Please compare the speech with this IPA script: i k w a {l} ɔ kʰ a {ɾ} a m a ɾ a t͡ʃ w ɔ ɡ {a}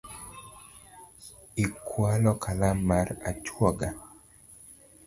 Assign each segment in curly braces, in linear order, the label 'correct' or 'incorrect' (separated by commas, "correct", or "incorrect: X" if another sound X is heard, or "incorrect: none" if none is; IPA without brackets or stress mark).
correct, incorrect: l, correct